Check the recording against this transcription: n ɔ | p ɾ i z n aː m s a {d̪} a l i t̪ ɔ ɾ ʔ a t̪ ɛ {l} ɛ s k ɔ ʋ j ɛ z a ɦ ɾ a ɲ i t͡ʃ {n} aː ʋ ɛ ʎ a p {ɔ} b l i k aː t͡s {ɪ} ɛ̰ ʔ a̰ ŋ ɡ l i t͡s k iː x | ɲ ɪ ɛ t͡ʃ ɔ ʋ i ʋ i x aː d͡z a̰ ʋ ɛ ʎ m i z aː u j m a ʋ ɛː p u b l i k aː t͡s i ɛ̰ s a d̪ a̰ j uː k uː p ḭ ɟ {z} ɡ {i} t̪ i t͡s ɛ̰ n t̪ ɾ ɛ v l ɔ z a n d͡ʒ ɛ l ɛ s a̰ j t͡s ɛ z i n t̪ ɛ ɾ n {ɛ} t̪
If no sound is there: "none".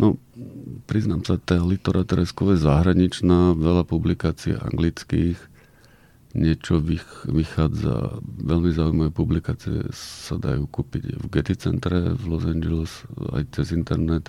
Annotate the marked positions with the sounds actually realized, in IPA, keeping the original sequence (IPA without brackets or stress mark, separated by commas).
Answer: t̪, ɾ, n, u, i, v, ɛ, ɛ